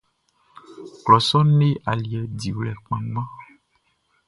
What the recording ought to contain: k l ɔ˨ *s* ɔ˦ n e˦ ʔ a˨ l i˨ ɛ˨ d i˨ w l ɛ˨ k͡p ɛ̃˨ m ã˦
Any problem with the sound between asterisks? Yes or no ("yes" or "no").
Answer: no